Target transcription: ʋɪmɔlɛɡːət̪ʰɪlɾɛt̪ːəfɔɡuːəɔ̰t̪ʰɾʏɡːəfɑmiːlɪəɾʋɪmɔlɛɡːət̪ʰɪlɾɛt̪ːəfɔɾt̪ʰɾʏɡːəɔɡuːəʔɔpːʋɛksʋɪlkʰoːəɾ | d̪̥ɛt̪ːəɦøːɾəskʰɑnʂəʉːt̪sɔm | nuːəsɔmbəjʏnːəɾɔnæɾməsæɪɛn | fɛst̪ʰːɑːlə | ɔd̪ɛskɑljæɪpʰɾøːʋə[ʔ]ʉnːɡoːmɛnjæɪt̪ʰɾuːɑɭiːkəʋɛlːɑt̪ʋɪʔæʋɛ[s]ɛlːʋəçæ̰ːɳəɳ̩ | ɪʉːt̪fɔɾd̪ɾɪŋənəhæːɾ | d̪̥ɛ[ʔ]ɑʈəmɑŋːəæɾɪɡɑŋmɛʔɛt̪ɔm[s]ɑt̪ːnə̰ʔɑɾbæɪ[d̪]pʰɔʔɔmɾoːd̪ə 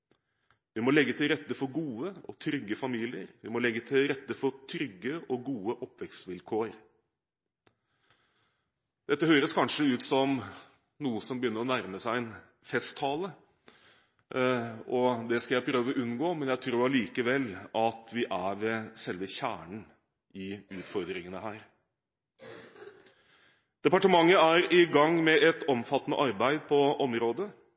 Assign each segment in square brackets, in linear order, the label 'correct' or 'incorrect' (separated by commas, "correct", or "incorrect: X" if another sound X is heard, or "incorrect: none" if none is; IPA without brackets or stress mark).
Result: correct, correct, incorrect: p, incorrect: f, correct